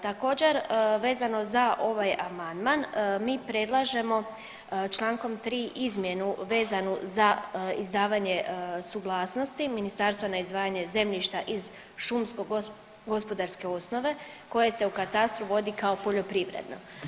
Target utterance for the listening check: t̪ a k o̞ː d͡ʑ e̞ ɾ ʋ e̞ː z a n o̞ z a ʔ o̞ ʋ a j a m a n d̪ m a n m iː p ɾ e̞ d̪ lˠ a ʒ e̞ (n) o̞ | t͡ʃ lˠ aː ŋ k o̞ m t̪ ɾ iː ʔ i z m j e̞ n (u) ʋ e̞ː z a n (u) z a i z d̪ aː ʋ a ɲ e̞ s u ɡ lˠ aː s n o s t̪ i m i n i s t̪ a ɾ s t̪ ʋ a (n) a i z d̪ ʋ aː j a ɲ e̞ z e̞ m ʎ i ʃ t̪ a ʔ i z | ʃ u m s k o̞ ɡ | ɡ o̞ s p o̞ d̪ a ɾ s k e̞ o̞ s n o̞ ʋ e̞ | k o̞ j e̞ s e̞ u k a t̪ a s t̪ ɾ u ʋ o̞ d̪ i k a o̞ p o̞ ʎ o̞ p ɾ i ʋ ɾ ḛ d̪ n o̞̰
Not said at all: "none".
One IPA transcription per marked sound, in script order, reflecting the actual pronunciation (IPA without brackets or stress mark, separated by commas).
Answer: m, u, u, n